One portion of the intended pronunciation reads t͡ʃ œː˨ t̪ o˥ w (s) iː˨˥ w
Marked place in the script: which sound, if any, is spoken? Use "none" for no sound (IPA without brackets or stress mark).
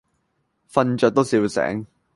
s